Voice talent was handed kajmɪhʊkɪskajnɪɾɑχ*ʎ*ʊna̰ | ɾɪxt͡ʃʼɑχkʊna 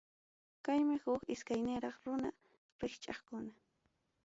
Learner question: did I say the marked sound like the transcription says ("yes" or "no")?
no